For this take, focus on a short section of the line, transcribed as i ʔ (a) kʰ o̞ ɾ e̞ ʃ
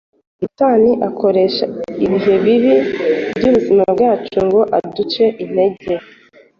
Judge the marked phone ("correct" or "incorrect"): correct